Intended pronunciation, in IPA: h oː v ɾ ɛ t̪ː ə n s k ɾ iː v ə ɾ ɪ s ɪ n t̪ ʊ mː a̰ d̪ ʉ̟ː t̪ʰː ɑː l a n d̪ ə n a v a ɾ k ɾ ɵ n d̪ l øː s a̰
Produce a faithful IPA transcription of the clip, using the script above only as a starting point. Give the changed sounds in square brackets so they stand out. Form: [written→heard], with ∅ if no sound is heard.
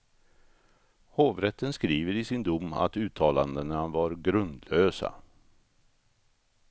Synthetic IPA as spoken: h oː v ɾ ɛ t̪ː ə n s k ɾ iː v ə ɾ ɪ s ɪ n [t̪→d̪] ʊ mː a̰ [d̪→t̪] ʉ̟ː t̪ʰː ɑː l a n d̪ ə n a v a ɾ [k→ɡ] ɾ ɵ n d̪ l øː s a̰